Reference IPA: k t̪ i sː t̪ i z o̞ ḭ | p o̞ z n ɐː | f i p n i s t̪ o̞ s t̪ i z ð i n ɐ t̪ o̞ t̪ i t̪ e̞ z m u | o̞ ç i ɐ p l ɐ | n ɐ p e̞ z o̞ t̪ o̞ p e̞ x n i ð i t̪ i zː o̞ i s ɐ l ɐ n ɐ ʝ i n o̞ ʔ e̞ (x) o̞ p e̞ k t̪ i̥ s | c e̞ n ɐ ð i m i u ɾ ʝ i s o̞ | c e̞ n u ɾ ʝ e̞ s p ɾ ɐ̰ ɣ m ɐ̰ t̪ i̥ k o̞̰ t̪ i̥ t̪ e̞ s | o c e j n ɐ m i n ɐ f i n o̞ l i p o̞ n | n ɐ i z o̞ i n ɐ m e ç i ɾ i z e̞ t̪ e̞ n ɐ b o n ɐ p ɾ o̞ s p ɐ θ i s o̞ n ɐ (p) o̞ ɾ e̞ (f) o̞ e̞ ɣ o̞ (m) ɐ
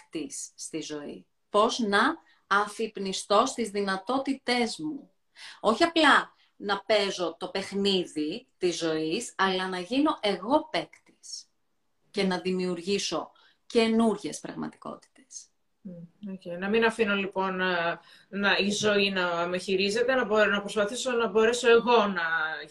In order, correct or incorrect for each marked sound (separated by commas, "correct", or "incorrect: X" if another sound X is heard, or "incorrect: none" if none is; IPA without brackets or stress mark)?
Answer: incorrect: ɣ, incorrect: b, incorrect: s, incorrect: n